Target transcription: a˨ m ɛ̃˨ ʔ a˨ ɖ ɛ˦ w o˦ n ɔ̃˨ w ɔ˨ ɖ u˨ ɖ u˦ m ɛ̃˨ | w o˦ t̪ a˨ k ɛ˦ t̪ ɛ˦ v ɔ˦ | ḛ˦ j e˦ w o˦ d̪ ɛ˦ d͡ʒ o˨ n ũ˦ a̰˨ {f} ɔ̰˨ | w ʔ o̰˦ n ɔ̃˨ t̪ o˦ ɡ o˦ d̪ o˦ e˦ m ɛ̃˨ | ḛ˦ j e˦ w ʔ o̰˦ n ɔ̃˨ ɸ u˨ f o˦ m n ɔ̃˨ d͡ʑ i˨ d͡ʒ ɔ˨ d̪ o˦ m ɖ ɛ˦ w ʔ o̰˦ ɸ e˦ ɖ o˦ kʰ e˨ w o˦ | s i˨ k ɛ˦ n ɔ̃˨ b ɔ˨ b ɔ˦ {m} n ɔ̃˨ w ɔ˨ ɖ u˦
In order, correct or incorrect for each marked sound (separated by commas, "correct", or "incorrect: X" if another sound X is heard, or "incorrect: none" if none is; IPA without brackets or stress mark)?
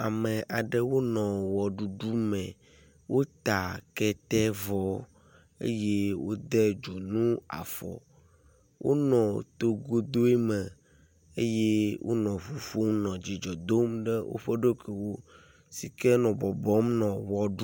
correct, correct